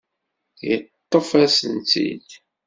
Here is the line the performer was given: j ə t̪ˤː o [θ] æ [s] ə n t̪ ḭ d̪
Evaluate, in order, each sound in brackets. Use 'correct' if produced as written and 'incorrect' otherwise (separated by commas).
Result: incorrect, correct